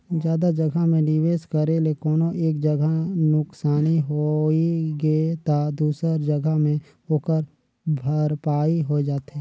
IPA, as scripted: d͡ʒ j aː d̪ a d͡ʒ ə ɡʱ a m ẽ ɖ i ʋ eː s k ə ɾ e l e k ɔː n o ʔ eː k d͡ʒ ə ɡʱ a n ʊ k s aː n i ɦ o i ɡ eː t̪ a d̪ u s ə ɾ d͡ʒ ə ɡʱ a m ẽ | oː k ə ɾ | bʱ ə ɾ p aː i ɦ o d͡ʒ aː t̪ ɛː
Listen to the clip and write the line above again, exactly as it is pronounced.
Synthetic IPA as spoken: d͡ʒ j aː d̪ a d͡ʒ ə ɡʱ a m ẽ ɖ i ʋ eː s k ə ɾ e l e k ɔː n o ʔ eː k d͡ʒ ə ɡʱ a n ʊ k s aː n i ɦ o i ɡ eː t̪ a d̪ uː s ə ɾ d͡ʒ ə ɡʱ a m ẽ | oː k ə ɾ | bʱ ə ɾ p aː i ɦ o d͡ʒ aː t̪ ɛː